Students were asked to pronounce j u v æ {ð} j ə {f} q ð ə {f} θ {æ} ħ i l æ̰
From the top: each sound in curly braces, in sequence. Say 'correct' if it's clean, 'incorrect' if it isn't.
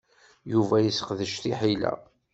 incorrect, incorrect, incorrect, incorrect

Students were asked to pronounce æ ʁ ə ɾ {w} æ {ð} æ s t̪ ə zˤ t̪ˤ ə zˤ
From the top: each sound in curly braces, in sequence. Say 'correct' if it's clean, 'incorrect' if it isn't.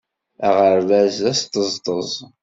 incorrect, incorrect

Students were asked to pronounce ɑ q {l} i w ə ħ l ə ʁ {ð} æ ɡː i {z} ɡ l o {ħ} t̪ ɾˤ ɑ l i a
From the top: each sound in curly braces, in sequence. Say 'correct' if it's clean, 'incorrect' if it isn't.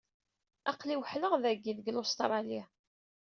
correct, correct, incorrect, incorrect

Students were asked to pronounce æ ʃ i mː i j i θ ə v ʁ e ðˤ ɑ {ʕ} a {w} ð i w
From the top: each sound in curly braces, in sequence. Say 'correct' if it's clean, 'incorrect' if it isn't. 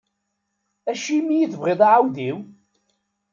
correct, correct

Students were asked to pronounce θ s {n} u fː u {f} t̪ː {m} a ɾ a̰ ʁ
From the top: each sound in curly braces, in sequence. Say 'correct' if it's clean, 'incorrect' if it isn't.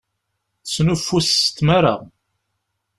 correct, incorrect, correct

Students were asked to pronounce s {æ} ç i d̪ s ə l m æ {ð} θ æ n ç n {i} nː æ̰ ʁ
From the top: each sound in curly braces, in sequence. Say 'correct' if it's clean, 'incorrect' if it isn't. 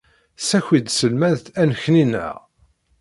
correct, correct, correct

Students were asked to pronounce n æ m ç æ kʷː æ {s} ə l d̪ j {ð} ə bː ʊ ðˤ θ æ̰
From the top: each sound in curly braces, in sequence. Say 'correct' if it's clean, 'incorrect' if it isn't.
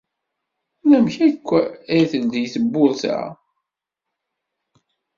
incorrect, incorrect

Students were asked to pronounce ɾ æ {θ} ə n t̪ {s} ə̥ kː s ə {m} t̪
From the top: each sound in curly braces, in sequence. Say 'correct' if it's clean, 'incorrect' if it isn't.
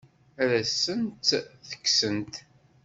incorrect, incorrect, incorrect

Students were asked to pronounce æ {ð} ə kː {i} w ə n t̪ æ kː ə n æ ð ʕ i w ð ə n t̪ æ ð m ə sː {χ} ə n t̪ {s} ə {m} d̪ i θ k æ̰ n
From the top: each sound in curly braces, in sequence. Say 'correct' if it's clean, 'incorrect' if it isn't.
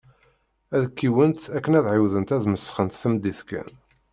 correct, correct, correct, incorrect, correct

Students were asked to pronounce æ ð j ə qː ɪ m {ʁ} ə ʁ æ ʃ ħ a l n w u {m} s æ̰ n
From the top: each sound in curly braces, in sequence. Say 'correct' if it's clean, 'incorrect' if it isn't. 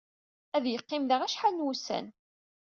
incorrect, incorrect

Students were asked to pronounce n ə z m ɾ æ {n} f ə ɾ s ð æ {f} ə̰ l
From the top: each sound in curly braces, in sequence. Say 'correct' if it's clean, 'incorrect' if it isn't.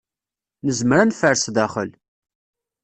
correct, incorrect

